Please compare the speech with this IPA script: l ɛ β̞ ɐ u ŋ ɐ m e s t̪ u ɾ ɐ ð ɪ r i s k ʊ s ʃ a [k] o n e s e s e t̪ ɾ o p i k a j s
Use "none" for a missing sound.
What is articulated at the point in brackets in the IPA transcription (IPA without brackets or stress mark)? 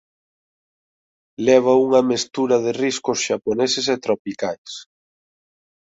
p